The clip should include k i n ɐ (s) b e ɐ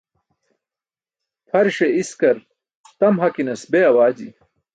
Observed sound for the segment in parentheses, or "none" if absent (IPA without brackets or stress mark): s